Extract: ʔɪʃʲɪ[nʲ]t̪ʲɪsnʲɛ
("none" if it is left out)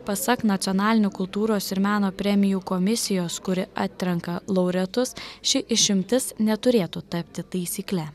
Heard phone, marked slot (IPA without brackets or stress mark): mʲ